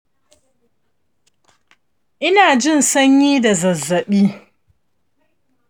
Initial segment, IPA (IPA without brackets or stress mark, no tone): ʔ